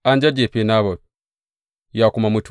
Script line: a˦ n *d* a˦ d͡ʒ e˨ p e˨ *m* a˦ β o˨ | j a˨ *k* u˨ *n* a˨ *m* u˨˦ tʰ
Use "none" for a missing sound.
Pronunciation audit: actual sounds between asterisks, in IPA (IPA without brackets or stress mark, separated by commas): d͡ʒ, n, k, m, m